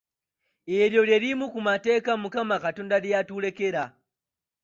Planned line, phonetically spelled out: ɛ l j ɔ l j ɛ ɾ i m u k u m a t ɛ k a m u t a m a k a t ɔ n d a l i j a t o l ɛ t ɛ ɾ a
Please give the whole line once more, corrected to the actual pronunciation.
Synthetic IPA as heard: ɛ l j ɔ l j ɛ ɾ i m u k u m a t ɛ k a m u k a m a k a t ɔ n d a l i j a t u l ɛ k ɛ ɾ a